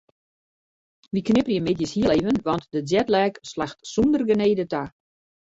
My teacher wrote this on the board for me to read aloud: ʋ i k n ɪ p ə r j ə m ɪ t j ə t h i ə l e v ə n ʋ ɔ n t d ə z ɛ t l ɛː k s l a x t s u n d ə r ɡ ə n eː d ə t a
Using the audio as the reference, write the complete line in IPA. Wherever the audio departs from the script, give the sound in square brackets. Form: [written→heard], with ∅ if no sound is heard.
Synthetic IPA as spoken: ʋ i k n ɪ p ə r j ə m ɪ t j ə [t→s] h i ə l e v ə n ʋ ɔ n t d ə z ɛ t l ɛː k s l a x t s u n d ə r ɡ ə n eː d ə t a

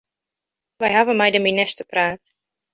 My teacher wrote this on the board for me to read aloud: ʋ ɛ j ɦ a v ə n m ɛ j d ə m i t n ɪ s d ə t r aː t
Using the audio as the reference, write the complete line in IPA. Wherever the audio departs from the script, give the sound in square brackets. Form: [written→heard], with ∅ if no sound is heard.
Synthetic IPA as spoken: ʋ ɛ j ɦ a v ə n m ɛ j d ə m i [t→∅] n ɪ s [d→t] ə [t→p] r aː t

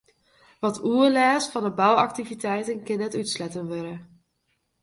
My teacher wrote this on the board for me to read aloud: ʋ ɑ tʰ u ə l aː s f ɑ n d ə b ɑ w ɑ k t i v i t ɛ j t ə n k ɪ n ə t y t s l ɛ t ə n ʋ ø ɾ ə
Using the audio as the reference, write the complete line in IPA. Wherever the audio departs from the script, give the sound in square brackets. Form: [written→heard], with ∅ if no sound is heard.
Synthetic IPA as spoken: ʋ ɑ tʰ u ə l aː s f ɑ n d ə b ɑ w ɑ k t i v i t ɛ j t ə n k ɪ n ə t y t s l ɛ t ə n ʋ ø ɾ ə

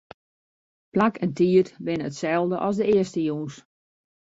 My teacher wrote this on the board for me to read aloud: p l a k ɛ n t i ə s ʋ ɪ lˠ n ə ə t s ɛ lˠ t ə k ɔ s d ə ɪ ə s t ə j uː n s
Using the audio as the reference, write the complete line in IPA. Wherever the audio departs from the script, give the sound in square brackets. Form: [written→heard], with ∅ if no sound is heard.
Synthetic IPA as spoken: p l a k ɛ n t i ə [s→t] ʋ ɪ [lˠ→∅] n ə ə t s ɛ lˠ [t→d] ə [k→ʔ] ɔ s d ə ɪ ə s t ə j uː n s

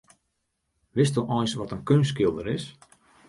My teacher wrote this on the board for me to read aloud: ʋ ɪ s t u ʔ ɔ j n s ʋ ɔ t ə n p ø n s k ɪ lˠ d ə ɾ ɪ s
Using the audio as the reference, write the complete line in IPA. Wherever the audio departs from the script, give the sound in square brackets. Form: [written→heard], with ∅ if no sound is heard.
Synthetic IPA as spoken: ʋ ɪ s t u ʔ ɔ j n s ʋ ɔ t ə n [p→k] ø n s k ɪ lˠ d ə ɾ ɪ s

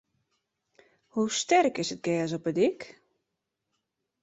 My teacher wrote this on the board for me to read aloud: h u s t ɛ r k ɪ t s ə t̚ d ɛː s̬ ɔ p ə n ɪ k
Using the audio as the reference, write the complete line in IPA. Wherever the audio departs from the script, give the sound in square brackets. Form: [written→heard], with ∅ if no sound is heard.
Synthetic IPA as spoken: h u s t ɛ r k ɪ [t→∅] s ə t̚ [d→ɡ] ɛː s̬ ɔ p ə [n→d] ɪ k

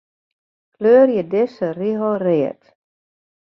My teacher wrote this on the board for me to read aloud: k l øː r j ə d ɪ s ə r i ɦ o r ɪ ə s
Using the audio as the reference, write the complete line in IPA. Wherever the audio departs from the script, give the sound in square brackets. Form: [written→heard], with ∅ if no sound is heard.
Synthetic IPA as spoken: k l øː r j ə d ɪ s ə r i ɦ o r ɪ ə [s→t]

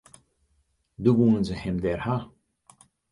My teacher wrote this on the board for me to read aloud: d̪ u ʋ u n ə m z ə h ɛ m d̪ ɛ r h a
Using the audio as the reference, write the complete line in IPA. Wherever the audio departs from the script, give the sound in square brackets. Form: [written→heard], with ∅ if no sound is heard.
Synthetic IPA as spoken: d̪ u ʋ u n ə [m→n] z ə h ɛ m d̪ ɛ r h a

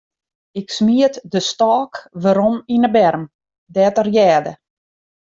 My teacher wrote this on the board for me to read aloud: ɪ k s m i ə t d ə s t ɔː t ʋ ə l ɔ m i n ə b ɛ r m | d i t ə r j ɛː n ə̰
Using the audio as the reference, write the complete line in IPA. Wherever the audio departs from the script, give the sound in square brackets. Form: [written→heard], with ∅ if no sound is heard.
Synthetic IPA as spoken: ɪ k s m i ə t d ə s t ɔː [t→k] ʋ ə [l→ɾ] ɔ m i n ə b ɛ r m | d [i→ɛ] t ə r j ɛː [n→d] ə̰

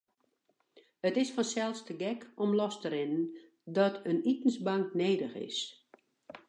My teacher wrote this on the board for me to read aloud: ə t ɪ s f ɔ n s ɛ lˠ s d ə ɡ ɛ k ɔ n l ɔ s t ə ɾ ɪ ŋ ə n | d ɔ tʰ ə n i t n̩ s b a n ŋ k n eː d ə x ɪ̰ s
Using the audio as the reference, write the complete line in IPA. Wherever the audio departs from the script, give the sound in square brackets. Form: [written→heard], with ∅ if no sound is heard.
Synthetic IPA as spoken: ə t ɪ s f ɔ n s ɛ lˠ s [d→t] ə ɡ ɛ k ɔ [n→m] l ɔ s t ə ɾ ɪ [ŋ→n] ə n | d ɔ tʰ ə n i t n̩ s b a [n→∅] ŋ k n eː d ə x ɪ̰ s

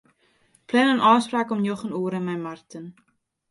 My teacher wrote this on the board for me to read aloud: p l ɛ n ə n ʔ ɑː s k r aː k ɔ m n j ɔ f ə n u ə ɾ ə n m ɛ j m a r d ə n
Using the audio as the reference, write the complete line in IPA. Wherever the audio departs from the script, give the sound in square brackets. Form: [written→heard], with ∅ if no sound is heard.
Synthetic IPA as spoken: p l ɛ n ə n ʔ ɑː s [k→p] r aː k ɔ m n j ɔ [f→χ] ə n u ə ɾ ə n m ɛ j m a r [d→t] ə n

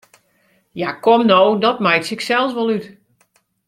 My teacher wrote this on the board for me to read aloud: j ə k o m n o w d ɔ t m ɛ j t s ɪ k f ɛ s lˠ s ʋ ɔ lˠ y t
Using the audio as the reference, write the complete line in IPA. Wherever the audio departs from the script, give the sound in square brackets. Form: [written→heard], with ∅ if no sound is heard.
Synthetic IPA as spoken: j [ə→a] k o m n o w d ɔ t m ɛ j t s ɪ k [f→s] ɛ [s→∅] lˠ s ʋ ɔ lˠ y t

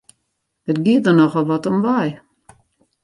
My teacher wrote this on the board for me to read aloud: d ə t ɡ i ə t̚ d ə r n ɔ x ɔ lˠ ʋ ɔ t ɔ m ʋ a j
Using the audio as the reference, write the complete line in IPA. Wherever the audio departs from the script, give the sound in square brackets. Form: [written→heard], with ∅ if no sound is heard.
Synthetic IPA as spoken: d ə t ɡ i ə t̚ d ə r n ɔ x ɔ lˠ ʋ ɔ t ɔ m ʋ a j

